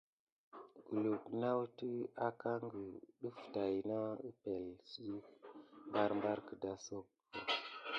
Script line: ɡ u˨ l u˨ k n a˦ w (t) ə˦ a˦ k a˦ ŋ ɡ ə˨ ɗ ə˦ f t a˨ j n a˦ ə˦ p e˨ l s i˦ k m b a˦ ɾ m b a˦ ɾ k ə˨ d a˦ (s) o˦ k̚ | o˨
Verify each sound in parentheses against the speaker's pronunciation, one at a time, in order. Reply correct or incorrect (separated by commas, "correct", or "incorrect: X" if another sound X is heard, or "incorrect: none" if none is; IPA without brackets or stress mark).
correct, correct